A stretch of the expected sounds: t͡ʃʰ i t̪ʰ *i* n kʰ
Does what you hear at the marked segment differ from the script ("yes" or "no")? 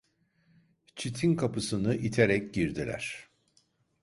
no